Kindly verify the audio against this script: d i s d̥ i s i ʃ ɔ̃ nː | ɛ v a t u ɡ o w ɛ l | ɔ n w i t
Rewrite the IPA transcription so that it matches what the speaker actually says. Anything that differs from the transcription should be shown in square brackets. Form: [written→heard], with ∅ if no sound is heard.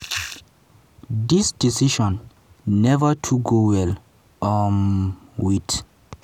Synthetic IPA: d i s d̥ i s i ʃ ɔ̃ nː | ɛ v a [t→tʰ] u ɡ o w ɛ l | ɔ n w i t